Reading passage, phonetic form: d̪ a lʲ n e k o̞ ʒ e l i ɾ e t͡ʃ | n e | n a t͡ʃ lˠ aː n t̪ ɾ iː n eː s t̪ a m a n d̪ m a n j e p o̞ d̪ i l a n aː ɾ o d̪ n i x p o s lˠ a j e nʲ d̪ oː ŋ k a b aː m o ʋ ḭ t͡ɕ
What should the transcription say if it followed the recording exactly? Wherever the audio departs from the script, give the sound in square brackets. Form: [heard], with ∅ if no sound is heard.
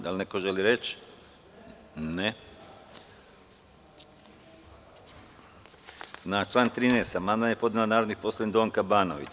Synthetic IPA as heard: d̪ a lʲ n e k o̞ ʒ e l i ɾ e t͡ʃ | n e | n a t͡ʃ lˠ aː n t̪ ɾ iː n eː s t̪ a m a n d̪ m a n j e p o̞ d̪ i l a n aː ɾ o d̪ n i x p o s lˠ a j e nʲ d̪ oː ŋ k a b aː [n] o ʋ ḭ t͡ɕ

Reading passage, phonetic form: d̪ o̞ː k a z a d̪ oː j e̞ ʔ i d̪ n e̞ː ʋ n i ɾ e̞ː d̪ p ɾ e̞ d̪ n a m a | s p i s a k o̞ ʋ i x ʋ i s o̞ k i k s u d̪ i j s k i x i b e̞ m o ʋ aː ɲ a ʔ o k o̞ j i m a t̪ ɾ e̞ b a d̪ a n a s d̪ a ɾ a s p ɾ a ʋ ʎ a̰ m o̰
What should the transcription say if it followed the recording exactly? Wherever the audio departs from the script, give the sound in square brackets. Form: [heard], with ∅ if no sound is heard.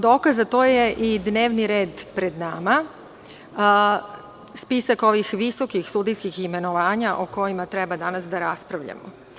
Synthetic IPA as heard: d̪ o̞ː k a z a [t̪] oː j e̞ ʔ i d̪ n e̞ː ʋ n i ɾ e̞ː d̪ p ɾ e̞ d̪ n a m a | s p i s a k o̞ ʋ i x ʋ i s o̞ k i [x] s u d̪ i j s k i x i [m] e̞ [n] o ʋ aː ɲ a ʔ o k o̞ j i m a t̪ ɾ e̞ b a d̪ a n a s d̪ a ɾ a s p ɾ a ʋ ʎ a̰ m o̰

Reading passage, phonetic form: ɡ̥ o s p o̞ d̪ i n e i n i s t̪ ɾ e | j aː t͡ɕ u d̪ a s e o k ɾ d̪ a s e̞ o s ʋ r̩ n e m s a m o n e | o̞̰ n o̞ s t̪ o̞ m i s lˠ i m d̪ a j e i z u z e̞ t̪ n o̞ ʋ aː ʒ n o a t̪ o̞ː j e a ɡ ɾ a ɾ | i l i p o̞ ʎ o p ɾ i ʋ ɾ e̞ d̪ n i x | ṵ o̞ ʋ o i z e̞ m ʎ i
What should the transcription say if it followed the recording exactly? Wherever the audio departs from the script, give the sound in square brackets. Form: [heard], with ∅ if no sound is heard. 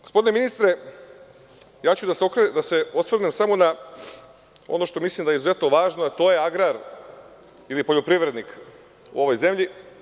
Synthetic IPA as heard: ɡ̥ o s p o̞ d̪ i n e i n i s t̪ ɾ e | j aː t͡ɕ u d̪ a s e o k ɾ d̪ a s e̞ o s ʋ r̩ n e m s a m o n [a] | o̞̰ n o̞ [ʃ] t̪ o̞ m i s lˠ i m d̪ a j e i z u z e̞ t̪ n o̞ ʋ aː ʒ n o a t̪ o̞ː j e a ɡ ɾ a ɾ | i l i p o̞ ʎ o p ɾ i ʋ ɾ e̞ d̪ n i [k] | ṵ o̞ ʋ o [j] z e̞ m ʎ i

